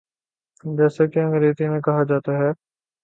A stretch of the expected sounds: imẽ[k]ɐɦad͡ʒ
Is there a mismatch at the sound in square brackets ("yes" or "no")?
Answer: no